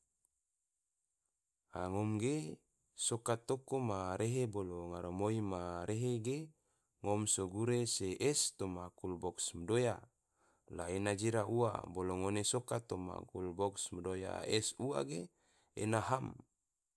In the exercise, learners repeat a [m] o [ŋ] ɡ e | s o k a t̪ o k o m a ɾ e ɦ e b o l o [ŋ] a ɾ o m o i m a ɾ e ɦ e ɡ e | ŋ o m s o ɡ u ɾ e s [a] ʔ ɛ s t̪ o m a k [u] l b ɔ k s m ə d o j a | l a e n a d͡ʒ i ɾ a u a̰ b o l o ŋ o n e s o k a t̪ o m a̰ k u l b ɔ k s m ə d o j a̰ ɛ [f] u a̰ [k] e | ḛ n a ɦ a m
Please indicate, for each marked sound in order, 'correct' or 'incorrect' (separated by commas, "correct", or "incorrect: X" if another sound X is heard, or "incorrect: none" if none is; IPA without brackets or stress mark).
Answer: incorrect: ŋ, incorrect: m, correct, incorrect: e, correct, incorrect: s, incorrect: ɡ